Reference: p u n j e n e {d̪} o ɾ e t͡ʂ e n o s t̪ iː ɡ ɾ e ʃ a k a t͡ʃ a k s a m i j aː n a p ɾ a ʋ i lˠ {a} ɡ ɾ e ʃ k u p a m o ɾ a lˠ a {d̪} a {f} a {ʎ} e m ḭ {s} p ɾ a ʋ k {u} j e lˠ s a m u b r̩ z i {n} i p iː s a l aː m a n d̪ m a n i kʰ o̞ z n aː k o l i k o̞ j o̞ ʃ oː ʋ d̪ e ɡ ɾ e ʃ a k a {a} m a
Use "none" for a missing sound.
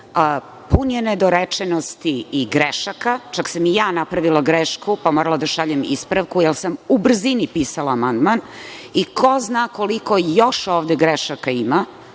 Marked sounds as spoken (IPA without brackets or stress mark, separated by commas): d̪, a, d̪, ʃ, ʎ, s, u, n, i